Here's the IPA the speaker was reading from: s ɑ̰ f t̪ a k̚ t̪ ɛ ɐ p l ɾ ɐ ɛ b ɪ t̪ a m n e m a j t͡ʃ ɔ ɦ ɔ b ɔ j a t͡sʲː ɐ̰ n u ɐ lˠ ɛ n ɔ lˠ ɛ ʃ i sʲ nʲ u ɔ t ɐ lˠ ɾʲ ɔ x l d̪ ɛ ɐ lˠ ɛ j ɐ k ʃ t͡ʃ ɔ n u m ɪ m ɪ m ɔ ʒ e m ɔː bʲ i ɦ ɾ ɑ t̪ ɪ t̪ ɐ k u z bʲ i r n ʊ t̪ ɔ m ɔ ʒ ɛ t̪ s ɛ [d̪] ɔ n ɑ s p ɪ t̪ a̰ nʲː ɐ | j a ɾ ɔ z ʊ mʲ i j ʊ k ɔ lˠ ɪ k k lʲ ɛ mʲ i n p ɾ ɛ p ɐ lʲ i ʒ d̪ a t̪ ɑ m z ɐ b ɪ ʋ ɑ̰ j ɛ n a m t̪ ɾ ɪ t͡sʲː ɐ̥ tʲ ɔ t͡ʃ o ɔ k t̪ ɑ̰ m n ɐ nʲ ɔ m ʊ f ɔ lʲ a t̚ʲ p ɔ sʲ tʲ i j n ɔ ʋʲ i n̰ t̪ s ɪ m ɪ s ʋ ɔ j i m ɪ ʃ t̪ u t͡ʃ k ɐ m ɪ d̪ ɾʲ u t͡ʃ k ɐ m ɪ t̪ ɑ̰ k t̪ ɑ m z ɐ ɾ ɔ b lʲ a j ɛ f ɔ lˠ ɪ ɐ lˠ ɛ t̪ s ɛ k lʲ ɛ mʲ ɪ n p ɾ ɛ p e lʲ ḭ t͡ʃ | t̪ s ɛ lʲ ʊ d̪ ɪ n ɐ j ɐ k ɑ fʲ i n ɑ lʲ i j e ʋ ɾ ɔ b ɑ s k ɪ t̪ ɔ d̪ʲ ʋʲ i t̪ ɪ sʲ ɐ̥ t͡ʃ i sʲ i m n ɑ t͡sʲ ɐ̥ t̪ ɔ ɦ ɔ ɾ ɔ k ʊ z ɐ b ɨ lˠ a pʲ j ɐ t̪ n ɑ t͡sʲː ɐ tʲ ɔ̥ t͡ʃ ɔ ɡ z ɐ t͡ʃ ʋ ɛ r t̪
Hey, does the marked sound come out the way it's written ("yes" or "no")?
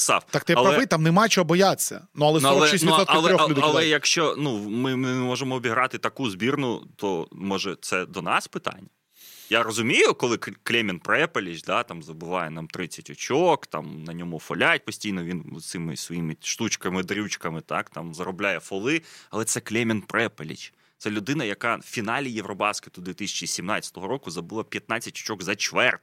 yes